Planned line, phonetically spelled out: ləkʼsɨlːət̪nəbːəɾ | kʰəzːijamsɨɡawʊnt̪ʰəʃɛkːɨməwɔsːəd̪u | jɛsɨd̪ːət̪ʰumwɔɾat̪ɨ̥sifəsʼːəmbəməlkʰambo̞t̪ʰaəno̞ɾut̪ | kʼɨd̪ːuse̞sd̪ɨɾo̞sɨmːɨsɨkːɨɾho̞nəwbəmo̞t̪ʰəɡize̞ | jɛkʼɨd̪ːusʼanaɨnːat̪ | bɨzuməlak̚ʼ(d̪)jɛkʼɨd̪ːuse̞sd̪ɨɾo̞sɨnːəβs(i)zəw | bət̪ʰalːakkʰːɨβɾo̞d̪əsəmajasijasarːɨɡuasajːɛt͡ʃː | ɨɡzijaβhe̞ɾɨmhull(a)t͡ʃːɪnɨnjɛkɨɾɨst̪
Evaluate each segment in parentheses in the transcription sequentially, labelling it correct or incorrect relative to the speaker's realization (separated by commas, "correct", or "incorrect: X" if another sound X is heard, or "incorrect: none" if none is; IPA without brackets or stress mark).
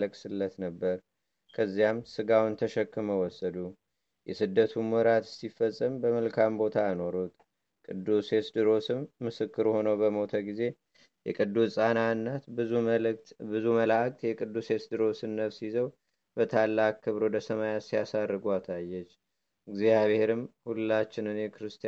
incorrect: t̪, correct, correct